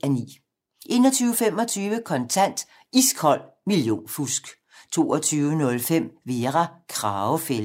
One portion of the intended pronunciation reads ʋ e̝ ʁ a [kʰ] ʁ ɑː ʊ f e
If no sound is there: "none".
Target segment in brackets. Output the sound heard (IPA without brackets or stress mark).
kʰ